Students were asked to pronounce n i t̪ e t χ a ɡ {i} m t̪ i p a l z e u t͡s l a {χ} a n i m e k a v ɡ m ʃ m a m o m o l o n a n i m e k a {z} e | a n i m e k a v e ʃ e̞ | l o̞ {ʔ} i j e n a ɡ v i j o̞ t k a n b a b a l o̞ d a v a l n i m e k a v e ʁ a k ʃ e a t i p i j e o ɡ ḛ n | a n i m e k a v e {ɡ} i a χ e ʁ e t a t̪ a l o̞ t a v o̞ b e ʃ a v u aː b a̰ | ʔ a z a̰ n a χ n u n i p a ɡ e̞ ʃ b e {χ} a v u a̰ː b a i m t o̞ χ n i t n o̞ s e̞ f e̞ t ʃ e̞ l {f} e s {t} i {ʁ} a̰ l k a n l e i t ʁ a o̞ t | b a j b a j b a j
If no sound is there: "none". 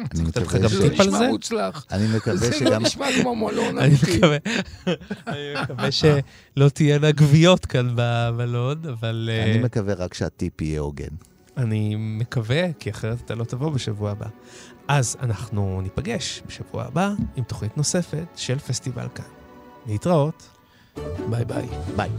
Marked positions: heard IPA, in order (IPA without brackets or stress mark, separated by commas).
a, χ, v, t, k, ʃ, f, t, v